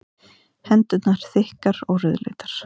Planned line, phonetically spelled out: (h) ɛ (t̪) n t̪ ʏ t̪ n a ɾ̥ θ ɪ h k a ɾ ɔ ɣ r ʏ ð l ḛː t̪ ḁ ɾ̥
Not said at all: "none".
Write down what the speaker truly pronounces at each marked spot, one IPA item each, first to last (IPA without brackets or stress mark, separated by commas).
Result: h, none